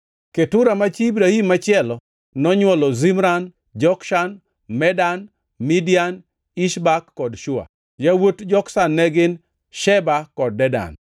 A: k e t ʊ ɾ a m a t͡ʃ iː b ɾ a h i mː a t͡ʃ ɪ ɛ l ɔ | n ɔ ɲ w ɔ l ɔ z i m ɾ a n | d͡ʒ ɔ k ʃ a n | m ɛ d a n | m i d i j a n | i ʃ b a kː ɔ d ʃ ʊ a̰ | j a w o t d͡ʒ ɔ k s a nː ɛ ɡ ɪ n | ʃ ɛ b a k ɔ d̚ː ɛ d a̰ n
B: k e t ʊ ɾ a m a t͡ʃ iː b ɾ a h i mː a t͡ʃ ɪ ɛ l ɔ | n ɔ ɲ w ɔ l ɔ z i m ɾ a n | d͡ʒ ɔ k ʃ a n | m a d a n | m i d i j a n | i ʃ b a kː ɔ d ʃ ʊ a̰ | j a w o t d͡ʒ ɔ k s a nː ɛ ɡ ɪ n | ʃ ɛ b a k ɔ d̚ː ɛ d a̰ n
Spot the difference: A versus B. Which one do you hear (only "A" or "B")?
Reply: A